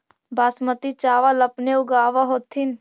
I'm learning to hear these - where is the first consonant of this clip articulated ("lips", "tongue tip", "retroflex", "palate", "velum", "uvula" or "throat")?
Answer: lips